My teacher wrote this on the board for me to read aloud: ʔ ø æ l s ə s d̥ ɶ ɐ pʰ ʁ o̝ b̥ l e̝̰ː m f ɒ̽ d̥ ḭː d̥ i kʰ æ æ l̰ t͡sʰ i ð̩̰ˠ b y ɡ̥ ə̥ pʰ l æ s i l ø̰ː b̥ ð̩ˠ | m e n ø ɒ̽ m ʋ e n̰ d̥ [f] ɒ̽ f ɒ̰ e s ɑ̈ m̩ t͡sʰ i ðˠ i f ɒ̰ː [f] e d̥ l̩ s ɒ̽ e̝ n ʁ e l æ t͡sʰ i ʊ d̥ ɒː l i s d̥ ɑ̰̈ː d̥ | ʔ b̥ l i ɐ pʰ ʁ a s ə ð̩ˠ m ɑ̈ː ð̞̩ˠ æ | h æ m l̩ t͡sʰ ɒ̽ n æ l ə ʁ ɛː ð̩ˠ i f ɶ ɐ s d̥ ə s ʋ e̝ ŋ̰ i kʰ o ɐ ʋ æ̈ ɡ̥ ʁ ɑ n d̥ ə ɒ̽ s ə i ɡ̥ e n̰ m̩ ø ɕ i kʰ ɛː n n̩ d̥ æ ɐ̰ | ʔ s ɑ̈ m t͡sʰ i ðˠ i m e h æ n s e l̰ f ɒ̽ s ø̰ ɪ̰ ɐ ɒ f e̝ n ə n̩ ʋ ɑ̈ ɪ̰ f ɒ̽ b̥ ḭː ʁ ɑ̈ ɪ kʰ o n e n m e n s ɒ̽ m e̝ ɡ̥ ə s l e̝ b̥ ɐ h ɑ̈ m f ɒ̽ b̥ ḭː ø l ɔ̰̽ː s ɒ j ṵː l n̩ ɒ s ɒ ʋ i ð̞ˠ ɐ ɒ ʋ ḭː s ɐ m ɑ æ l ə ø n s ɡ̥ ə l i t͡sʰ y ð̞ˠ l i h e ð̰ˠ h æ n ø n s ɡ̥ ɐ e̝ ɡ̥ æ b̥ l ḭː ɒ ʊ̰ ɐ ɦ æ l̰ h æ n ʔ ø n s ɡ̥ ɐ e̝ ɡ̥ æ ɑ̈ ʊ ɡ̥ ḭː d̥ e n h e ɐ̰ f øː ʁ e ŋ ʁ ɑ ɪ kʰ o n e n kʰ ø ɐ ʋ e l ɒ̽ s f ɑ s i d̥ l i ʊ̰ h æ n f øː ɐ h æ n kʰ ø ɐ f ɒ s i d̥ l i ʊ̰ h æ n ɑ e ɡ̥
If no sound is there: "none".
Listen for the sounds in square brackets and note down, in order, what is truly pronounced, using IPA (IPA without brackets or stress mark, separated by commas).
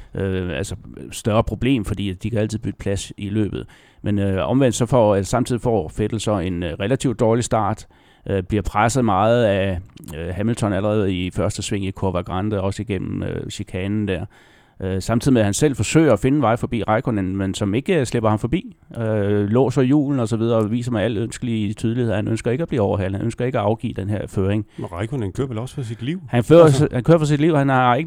s, f